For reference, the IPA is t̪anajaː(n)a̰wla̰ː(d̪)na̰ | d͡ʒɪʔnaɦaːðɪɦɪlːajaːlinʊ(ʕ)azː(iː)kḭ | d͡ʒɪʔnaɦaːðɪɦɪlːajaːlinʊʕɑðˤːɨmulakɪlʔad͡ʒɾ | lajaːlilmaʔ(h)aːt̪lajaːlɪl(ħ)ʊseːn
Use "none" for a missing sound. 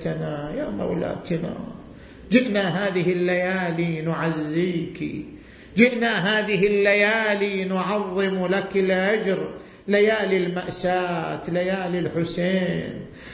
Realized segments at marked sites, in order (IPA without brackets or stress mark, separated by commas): m, t̪, ʕ, iː, s, ħ